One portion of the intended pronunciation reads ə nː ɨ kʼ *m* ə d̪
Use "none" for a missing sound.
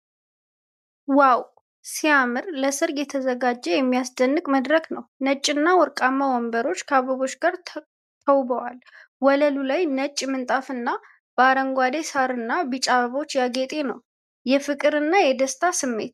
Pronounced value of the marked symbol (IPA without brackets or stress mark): m